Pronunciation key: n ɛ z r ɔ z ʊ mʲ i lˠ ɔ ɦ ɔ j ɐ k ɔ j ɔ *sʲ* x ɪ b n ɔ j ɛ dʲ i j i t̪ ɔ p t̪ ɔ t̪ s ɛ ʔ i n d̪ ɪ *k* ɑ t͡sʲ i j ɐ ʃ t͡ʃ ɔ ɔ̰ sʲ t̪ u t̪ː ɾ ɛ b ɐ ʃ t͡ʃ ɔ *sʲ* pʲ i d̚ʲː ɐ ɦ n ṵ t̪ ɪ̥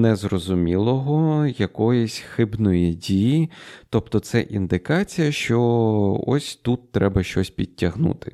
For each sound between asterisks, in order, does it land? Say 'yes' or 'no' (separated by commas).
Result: yes, yes, yes